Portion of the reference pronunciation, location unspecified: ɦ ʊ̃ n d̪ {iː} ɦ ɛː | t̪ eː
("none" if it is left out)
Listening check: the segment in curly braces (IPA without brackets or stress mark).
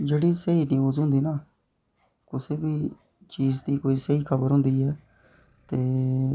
iː